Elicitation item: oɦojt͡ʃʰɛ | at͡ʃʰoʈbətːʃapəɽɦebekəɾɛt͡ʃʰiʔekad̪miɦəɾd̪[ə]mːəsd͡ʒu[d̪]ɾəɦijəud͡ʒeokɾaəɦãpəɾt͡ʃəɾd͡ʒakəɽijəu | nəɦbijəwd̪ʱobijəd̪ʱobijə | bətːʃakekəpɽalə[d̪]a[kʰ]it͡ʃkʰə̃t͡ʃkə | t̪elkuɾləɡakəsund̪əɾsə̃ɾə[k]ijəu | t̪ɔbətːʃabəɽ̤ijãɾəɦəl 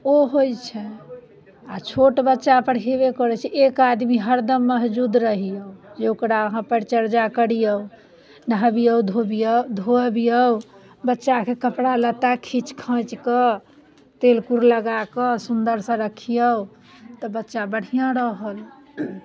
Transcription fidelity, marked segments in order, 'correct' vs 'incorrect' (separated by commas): correct, correct, incorrect, correct, incorrect